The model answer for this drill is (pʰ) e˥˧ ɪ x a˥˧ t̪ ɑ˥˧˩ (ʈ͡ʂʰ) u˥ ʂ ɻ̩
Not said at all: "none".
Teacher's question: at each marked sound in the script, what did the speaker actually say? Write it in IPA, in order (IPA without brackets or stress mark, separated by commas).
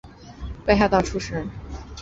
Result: p, ʈ͡ʂʰ